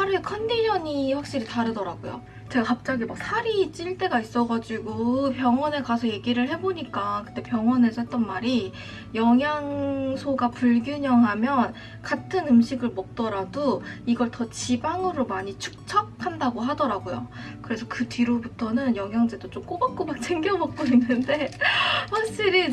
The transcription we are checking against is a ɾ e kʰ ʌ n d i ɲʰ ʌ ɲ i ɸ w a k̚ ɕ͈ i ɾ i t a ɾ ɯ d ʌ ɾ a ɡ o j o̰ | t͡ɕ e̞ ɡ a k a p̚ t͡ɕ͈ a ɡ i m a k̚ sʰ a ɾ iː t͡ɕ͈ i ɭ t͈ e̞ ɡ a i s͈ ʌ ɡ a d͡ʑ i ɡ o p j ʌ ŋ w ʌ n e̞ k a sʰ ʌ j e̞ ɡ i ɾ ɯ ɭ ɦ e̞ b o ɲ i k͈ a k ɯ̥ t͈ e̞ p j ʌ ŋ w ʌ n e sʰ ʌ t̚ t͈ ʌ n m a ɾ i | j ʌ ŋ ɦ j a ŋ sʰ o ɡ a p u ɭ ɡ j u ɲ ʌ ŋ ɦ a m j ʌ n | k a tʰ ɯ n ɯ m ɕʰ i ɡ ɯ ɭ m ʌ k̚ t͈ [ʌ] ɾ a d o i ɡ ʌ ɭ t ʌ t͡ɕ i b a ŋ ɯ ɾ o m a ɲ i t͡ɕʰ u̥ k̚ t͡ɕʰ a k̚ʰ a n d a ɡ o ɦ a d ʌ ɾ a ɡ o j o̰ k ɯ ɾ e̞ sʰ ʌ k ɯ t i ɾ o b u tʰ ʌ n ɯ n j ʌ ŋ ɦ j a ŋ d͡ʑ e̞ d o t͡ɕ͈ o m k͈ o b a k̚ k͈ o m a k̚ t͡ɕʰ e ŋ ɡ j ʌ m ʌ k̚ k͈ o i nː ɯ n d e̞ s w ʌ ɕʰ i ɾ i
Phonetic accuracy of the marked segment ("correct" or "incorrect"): correct